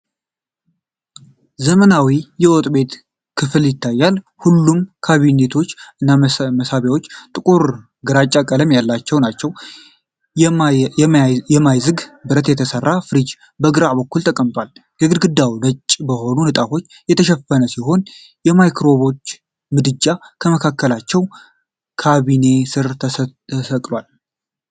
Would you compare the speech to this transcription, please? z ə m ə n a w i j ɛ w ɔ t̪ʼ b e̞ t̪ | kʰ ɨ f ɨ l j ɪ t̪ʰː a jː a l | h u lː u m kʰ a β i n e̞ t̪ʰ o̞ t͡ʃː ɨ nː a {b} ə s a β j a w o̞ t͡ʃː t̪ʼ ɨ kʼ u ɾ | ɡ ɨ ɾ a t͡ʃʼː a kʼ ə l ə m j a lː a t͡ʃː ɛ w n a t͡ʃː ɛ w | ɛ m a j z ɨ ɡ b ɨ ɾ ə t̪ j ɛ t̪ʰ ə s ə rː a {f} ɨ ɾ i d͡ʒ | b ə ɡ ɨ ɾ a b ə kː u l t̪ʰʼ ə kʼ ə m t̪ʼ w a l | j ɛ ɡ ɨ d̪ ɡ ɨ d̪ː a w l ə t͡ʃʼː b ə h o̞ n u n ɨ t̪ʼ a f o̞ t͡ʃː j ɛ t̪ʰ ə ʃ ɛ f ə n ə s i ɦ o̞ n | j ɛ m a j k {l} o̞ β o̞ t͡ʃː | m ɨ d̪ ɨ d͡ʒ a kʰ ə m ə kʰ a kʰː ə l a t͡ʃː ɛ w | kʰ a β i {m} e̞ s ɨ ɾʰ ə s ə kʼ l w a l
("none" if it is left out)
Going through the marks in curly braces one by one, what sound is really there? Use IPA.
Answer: m, f, ɾ, n

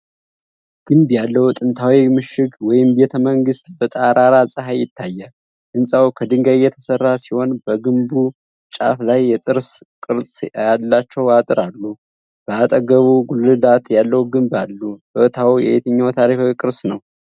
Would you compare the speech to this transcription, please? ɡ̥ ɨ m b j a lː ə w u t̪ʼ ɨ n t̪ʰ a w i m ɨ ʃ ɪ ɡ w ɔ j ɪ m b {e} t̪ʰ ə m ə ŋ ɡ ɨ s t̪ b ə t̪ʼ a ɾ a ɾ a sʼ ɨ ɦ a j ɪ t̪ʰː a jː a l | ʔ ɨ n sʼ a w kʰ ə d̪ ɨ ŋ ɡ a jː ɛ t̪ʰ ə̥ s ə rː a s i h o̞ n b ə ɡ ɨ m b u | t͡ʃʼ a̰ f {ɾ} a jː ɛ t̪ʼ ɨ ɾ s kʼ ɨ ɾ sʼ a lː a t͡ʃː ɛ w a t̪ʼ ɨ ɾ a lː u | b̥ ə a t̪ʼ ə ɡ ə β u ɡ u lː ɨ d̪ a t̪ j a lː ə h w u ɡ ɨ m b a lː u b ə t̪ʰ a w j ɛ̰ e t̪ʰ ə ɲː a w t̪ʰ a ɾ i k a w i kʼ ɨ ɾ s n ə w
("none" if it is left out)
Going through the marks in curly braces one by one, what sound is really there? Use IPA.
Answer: e, l

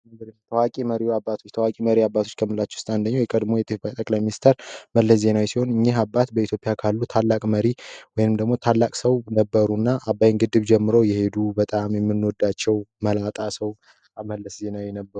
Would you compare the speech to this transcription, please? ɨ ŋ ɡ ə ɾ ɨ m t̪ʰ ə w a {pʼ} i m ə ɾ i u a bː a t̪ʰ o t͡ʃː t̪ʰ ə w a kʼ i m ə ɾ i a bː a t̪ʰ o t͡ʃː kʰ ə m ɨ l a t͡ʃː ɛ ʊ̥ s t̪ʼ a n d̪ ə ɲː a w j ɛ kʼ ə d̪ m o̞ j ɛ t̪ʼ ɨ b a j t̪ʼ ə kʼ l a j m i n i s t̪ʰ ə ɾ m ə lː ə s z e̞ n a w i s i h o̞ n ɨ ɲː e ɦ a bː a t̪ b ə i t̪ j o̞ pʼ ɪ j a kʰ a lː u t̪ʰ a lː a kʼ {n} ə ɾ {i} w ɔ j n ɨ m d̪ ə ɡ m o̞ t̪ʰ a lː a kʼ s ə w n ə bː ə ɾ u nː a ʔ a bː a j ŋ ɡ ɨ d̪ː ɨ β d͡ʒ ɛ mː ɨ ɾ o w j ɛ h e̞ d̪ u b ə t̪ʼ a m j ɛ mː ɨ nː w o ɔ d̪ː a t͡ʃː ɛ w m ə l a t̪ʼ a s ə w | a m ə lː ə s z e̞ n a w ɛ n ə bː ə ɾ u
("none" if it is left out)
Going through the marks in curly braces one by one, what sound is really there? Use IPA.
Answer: kʼ, m, i

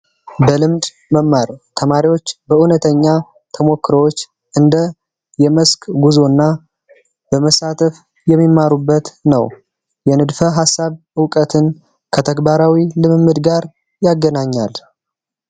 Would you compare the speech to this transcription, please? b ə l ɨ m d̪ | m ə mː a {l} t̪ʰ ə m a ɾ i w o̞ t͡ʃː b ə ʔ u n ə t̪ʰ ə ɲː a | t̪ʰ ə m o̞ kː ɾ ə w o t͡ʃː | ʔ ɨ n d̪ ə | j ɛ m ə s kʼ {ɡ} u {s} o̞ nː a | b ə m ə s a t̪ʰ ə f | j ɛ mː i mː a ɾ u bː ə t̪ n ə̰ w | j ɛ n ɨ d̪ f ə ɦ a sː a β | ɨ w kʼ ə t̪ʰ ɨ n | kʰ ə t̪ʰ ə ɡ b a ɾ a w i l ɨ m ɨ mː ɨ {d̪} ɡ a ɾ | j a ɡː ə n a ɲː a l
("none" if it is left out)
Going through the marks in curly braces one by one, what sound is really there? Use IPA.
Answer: ɾ, ɡ, z, d̪

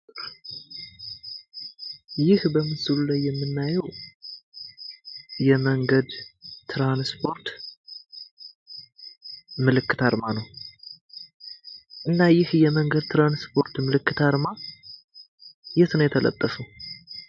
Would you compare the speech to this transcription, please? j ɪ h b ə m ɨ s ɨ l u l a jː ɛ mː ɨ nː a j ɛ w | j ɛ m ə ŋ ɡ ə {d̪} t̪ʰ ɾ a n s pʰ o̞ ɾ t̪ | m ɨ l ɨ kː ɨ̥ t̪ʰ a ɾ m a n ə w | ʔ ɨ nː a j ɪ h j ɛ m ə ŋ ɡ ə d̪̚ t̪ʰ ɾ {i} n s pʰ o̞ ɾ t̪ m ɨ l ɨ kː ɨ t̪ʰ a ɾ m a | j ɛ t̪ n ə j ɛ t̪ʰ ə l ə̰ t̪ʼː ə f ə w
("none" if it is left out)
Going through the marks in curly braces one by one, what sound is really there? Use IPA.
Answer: d̪, a

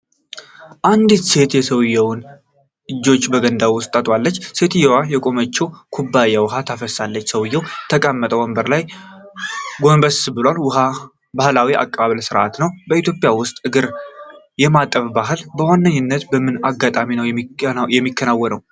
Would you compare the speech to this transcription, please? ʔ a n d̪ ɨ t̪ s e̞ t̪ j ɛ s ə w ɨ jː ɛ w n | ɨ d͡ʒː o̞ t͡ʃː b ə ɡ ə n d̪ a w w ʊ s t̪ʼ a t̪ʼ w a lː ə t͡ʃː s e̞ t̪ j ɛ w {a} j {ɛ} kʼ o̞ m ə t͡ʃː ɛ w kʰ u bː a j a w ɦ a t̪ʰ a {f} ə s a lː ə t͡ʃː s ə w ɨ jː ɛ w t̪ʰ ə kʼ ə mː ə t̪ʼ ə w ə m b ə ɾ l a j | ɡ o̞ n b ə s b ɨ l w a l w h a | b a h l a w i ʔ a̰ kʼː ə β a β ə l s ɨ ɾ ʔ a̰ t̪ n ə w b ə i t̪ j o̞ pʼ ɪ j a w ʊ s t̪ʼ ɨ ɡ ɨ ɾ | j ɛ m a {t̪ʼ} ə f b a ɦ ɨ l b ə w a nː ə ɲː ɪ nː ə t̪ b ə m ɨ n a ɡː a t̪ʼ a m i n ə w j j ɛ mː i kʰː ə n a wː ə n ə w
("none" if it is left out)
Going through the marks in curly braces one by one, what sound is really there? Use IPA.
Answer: a, ɛ, f, t̪ʼ

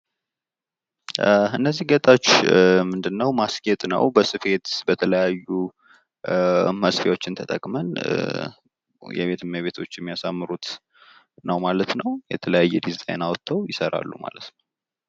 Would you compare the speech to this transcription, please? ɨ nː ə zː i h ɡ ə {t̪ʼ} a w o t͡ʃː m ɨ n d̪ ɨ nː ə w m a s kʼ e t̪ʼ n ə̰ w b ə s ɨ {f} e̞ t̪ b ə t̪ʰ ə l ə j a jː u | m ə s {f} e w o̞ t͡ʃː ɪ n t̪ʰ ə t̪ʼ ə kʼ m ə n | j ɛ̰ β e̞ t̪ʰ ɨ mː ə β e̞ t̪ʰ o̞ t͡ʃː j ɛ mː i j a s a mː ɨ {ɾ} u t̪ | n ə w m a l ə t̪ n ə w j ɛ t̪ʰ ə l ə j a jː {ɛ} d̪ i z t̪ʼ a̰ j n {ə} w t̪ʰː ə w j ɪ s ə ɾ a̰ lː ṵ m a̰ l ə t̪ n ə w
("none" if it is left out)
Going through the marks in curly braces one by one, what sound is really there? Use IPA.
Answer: t̪ʼ, f, f, ɾ, ɛ, a

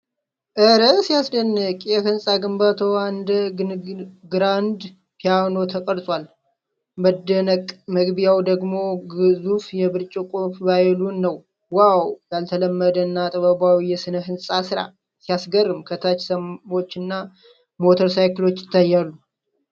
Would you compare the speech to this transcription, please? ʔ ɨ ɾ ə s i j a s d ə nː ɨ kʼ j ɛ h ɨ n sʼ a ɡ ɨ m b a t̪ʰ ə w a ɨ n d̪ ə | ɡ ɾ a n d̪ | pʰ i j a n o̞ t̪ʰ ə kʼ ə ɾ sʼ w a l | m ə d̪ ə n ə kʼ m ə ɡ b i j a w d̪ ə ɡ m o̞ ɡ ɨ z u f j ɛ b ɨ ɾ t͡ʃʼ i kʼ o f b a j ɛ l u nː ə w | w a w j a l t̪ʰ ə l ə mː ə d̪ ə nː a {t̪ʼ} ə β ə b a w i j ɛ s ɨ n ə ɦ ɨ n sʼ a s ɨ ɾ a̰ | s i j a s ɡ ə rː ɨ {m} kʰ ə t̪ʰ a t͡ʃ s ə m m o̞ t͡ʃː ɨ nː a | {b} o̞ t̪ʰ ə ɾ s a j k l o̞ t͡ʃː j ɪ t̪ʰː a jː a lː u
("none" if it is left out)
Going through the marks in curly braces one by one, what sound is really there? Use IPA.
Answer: t̪ʼ, m, m

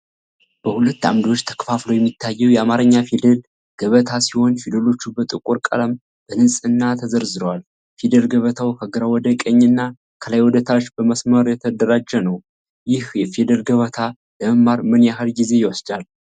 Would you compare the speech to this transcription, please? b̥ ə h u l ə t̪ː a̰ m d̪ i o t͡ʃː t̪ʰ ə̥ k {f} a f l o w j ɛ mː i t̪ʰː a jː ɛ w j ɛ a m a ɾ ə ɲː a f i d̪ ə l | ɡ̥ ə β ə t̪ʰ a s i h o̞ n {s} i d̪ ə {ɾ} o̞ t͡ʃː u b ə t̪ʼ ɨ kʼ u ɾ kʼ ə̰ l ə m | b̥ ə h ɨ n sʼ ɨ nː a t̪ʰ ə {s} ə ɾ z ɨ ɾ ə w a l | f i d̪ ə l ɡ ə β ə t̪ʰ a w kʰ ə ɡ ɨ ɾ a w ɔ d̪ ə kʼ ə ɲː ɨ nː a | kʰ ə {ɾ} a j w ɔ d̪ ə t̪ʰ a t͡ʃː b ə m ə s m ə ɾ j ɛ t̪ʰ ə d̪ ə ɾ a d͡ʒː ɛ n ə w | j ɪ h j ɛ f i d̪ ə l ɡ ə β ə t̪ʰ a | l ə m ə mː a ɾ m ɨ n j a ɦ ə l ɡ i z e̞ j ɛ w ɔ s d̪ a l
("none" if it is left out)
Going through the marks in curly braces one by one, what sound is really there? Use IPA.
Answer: f, f, l, z, l

